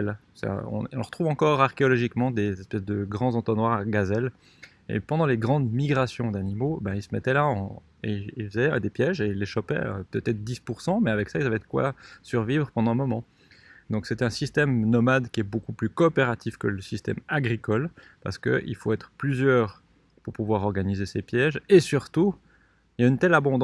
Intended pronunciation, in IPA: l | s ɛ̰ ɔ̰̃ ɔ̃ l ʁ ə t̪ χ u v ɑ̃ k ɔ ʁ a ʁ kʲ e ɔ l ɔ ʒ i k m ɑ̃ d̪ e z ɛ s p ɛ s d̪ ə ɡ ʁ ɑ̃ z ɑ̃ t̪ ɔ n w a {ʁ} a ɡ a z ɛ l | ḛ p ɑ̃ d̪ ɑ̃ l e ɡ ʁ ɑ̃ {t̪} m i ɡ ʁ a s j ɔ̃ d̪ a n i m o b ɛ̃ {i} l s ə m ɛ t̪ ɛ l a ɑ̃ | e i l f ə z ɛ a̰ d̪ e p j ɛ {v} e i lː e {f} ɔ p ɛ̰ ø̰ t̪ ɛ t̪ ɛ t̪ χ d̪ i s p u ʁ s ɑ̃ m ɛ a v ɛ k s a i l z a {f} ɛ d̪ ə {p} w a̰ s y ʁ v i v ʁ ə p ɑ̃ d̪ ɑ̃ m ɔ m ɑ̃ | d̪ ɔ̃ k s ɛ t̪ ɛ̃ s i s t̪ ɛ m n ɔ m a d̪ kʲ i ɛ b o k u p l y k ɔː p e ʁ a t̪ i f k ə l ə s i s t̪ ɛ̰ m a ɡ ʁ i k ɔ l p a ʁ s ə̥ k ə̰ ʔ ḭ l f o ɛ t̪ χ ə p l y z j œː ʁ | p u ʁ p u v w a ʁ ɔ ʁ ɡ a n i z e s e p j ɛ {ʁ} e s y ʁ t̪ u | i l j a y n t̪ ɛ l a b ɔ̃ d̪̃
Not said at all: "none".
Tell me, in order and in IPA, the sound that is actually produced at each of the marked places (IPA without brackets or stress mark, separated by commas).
ʁ, d̪, i, ʒ, ʃ, v, k, ʒ